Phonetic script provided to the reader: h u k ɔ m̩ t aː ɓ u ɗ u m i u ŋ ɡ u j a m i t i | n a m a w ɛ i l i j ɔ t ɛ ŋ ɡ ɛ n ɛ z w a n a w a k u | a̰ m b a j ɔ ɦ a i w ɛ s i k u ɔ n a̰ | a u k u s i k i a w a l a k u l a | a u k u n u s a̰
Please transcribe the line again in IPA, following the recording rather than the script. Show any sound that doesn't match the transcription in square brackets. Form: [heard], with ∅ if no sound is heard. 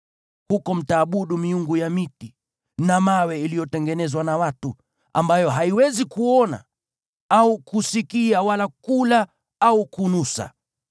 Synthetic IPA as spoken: h u k ɔ m̩ t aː ɓ u ɗ u m i u ŋ ɡ u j a m i t i | n a m a w ɛ i l i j ɔ t ɛ ŋ ɡ ɛ n ɛ z w a n a w a [t] u | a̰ m b a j ɔ ɦ a i w ɛ [z] i k u ɔ n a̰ | a u k u s i k i a w a l a k u l a | a u k u n u s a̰

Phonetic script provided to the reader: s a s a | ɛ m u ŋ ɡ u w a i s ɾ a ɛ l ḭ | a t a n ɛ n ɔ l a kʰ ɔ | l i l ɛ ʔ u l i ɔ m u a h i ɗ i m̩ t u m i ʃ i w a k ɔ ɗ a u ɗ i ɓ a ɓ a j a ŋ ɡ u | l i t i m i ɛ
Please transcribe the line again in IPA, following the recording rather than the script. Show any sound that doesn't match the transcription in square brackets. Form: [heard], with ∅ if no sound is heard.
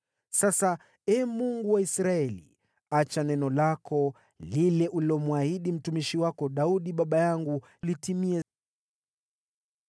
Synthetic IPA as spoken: s a s a | ɛ m u ŋ ɡ u w a i s ɾ a ɛ l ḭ | a [t͡ʃ] a n ɛ n ɔ l a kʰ ɔ | l i l ɛ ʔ u l i ɔ m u a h i ɗ i m̩ t u m i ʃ i w a k ɔ ɗ a u ɗ i ɓ a ɓ a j a ŋ ɡ u | l i t i m i ɛ

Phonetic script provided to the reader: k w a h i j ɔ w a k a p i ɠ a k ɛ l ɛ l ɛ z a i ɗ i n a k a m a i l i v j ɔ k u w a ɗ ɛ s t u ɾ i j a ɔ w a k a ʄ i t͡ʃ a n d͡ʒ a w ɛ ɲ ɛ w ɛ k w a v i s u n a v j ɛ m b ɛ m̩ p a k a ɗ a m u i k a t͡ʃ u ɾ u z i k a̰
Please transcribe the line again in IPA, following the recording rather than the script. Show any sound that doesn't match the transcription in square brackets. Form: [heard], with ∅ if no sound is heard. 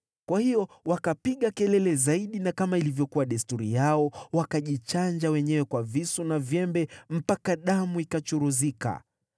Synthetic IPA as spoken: k w a h i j ɔ w a k a p i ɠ a k ɛ l ɛ l ɛ z a i ɗ i n a k a m a i l i v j ɔ k u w a ɗ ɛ s t u ɾ i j a ɔ w a k a ʄ i t͡ʃ a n d͡ʒ a w ɛ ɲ ɛ w ɛ k w a v i s u n a v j ɛ m b ɛ m̩ p a k a ɗ a m u i k a t͡ʃ u ɾ u z i k a̰

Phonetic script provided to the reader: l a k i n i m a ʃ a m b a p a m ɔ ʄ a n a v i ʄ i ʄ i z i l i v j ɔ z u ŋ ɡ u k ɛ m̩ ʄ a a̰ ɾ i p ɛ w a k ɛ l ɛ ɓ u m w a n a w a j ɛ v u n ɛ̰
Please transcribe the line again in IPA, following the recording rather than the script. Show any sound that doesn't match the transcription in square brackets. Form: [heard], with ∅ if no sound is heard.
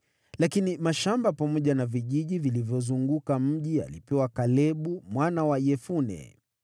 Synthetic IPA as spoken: l a k i n i m a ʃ a m b a p a m ɔ ʄ a n a v i ʄ i ʄ i [v] i l i v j ɔ z u ŋ ɡ u k [a] m̩ ʄ [i] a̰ [l] i p ɛ w a k [a] l ɛ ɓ u m w a n a w a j ɛ [f] u n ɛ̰

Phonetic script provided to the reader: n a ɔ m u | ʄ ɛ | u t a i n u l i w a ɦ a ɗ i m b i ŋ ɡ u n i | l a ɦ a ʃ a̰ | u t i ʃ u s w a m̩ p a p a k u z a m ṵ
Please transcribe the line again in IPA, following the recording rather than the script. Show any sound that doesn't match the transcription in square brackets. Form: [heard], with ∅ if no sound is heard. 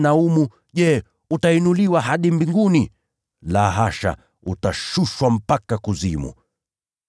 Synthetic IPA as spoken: n a [u] m u | ʄ ɛ | u t a i n u l i w a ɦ a ɗ i m b i ŋ ɡ u n i | l a ɦ a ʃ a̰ | u t [a] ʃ u [ʃ] w a m̩ p a [k] a k u z [i] m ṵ

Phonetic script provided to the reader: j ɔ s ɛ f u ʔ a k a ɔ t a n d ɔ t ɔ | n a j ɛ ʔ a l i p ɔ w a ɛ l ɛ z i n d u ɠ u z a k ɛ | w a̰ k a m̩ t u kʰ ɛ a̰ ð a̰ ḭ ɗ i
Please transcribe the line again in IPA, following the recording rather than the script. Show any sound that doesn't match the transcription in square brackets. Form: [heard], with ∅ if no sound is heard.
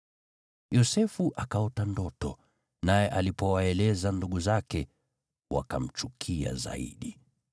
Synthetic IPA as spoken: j ɔ s ɛ f u ʔ a k a ɔ t a n d ɔ t ɔ | n a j ɛ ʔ a l i p ɔ w a ɛ l ɛ z [a] n d u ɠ u z a k ɛ | w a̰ k a m̩ [t͡ʃ] u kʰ [i] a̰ [z] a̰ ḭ ɗ i

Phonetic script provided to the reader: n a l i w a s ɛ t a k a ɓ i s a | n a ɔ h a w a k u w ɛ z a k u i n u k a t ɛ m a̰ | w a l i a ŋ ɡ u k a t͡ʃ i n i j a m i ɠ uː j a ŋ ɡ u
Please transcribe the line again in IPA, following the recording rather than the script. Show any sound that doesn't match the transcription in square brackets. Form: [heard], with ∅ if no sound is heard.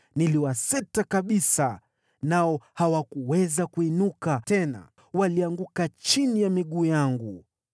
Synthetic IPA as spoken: n [i] l i w a s ɛ t a k a ɓ i s a | n a ɔ h a w a k u w ɛ z a k u i n u k a t ɛ [n] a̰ | w a l i a ŋ ɡ u k a t͡ʃ i n i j a m i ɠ uː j a ŋ ɡ u

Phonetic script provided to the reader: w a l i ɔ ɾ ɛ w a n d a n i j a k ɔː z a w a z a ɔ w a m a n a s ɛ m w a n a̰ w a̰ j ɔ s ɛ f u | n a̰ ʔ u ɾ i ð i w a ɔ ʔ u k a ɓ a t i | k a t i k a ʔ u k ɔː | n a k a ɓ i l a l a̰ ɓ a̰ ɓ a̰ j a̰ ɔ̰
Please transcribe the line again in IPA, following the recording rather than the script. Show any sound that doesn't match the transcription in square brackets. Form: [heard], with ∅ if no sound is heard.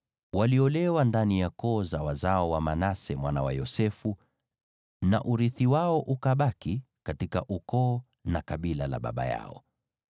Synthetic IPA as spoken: w a l i ɔ [l] ɛ w a n d a n i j a k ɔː z a w a z a ɔ w a m a n a s ɛ m w a n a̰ w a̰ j ɔ s ɛ f u | n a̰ ʔ u ɾ i [θ] i w a ɔ ʔ u k a ɓ a [k] i | k a t i k a ʔ u k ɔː | n a k a ɓ i l a l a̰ ɓ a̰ ɓ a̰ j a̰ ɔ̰

